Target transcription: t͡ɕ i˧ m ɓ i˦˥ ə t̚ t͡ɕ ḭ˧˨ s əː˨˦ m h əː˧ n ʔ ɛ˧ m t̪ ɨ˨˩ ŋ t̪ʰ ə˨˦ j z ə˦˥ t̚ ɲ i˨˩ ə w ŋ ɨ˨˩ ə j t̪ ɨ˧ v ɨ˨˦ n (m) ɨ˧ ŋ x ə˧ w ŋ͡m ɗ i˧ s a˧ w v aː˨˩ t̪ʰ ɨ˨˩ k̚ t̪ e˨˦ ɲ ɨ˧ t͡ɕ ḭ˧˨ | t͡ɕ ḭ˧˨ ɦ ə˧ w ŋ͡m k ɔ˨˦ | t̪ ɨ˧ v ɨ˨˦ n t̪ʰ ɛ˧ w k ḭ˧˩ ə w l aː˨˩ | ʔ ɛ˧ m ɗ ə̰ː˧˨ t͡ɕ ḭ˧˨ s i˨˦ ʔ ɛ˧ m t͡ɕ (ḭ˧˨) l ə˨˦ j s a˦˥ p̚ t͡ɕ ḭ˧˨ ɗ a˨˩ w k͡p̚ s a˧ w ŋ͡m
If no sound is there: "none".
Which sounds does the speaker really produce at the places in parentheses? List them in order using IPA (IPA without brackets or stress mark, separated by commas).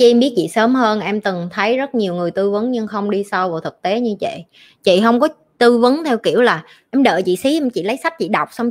ɲ, ḭ˧˨